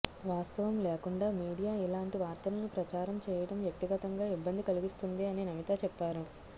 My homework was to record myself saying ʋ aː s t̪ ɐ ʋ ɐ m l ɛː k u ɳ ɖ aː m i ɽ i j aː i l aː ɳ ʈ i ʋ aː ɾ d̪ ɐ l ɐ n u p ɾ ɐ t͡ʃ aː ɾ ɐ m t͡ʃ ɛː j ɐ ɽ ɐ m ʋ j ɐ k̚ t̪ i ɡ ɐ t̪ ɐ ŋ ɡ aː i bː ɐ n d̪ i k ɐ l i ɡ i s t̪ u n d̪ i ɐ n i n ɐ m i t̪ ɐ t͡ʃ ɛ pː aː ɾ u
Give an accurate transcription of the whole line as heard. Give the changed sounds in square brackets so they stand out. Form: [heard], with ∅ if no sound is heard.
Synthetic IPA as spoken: ʋ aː s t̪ ɐ ʋ ɐ m l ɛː k u ɳ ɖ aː m [iː] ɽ i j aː i l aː ɳ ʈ i ʋ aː ɾ [t̪] ɐ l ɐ n u p ɾ ɐ t͡ʃ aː ɾ ɐ m t͡ʃ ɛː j ɐ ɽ ɐ m ʋ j ɐ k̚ t̪ i ɡ ɐ t̪ ɐ ŋ ɡ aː i bː ɐ n d̪ i k ɐ l i ɡ i s t̪ u n d̪ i ɐ n i n ɐ m i t̪ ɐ t͡ʃ ɛ pː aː ɾ u